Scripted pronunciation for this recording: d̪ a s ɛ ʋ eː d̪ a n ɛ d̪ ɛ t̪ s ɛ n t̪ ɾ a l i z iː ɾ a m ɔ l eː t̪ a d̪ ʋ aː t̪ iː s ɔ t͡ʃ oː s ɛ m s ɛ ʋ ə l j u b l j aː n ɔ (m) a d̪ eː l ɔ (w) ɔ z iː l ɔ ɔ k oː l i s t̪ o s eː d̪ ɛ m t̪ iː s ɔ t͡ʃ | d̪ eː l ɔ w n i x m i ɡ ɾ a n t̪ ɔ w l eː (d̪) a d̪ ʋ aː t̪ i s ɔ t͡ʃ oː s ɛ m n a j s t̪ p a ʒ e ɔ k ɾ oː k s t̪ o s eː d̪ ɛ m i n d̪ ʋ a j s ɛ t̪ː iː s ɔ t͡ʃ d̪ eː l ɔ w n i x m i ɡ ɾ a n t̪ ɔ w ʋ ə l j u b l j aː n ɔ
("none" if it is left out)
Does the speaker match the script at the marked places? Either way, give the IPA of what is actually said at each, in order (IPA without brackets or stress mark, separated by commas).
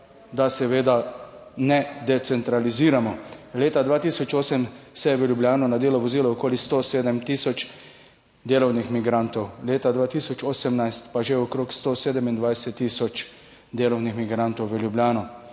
n, ʋ, t̪